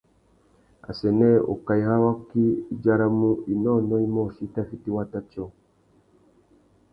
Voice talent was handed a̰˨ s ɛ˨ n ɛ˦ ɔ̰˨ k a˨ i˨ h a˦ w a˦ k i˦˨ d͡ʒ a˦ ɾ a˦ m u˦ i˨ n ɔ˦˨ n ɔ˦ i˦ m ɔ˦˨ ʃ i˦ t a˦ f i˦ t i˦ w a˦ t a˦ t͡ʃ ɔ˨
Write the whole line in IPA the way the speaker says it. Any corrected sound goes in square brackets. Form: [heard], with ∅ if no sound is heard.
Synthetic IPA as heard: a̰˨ s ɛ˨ n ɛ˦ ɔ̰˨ k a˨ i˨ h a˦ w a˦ k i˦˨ d͡ʒ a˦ ɾ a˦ m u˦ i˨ n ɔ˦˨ n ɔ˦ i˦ m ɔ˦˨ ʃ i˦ t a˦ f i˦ t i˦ w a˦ t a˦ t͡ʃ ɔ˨